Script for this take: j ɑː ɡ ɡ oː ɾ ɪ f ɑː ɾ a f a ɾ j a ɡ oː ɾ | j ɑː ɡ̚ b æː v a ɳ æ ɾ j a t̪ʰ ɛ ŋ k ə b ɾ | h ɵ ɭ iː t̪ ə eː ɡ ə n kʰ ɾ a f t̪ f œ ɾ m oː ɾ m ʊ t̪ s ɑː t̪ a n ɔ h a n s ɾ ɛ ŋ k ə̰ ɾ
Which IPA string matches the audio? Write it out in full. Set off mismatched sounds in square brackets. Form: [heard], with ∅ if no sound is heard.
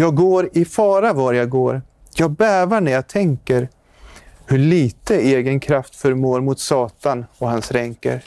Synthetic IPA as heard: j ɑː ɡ ɡ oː ɾ ɪ f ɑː ɾ a [v] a ɾ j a ɡ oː ɾ | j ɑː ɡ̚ b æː v a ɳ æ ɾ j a t̪ʰ ɛ ŋ k ə [∅] ɾ | h ɵ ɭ iː t̪ ə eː ɡ ə n kʰ ɾ a f t̪ f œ ɾ m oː ɾ m ʊ t̪ s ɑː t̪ a n ɔ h a n s ɾ ɛ ŋ k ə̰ ɾ